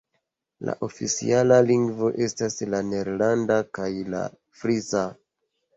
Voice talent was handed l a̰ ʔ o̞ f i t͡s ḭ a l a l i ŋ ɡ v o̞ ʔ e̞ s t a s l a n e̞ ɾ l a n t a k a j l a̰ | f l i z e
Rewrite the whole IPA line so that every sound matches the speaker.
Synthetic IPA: l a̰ ʔ o̞ f i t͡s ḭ a l a l i ŋ ɡ v o̞ ʔ e̞ s t a s l a n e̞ ɾ l a n d a k a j l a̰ | f ɾ i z a